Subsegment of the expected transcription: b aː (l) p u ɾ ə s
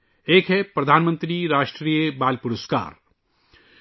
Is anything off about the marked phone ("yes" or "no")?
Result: no